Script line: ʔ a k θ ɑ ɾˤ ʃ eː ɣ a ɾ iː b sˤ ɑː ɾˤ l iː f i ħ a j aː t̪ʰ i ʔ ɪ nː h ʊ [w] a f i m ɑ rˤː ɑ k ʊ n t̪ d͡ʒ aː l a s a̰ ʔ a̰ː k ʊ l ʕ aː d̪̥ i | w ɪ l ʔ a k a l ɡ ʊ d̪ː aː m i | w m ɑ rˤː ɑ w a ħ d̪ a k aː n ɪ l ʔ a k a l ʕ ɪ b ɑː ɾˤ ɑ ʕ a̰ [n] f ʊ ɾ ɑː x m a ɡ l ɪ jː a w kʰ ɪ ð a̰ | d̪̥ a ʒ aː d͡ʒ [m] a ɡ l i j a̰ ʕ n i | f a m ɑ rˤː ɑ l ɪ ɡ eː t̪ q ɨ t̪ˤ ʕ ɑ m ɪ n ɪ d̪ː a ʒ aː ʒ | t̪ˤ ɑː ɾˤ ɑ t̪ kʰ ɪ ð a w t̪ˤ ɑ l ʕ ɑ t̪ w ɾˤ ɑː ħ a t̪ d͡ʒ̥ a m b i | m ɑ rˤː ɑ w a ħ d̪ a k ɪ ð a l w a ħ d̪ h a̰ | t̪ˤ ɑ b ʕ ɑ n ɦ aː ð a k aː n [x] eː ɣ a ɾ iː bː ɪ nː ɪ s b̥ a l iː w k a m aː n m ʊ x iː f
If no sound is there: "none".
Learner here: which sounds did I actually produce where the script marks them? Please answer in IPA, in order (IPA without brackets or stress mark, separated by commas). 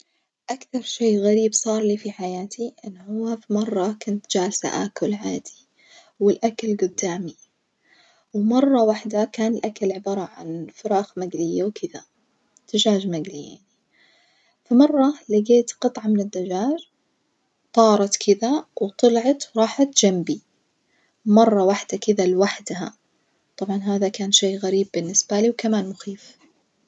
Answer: wː, n, m, ʃ